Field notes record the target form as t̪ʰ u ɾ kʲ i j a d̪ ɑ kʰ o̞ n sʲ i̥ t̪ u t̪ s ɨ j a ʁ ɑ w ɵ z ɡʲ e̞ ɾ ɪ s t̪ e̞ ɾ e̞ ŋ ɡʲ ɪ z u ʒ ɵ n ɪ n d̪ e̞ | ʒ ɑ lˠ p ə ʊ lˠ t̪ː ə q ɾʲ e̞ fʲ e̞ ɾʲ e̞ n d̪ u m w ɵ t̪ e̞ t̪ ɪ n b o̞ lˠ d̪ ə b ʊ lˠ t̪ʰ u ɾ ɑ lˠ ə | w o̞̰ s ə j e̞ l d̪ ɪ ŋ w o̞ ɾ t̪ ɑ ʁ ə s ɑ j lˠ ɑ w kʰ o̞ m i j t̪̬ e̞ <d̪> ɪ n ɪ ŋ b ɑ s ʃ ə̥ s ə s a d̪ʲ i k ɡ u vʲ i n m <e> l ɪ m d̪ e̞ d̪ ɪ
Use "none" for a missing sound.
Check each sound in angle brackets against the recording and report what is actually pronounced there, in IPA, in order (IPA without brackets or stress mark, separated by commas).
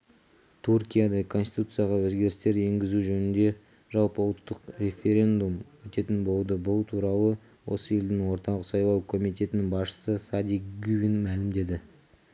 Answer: t̪, æ